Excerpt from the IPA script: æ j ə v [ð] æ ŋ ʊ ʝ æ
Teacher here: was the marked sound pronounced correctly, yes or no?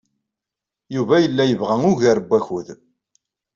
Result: no